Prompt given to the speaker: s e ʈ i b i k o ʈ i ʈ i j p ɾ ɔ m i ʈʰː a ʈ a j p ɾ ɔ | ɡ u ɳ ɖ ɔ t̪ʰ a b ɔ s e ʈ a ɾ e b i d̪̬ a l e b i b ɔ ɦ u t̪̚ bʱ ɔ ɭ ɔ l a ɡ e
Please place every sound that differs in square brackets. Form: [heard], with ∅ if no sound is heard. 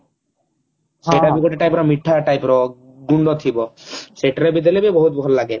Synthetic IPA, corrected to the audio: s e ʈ [a] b i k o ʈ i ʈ [a] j p ɾ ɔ m i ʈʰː a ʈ a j p ɾ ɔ | ɡ u ɳ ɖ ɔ t̪ʰ [i] b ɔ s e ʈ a ɾ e b i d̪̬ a l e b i b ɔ ɦ u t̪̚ bʱ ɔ [l] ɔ l a ɡ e